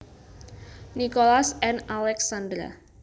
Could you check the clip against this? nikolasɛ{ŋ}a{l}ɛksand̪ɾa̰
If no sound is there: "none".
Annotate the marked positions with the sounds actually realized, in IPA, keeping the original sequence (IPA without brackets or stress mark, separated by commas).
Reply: n, l